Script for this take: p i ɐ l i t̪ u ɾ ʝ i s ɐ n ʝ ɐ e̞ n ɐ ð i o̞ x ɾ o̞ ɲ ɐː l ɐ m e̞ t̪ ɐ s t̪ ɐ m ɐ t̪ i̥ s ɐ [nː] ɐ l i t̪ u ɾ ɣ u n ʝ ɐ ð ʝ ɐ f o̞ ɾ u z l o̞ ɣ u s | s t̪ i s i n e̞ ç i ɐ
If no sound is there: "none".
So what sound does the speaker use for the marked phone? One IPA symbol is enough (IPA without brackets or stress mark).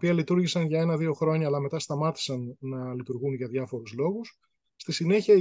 nː